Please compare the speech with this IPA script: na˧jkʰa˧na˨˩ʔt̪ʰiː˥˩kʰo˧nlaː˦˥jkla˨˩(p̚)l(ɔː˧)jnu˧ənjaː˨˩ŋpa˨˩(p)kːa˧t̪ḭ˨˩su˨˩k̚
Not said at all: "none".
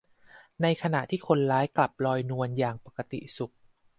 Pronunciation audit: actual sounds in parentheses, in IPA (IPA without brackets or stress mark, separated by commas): p̚, ɔː˧, none